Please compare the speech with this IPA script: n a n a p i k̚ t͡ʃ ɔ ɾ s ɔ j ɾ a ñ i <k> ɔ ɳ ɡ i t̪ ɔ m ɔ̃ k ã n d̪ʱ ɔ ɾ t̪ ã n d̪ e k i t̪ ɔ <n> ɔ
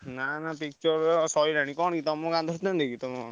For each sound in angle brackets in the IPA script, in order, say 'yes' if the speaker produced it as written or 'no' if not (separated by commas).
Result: yes, no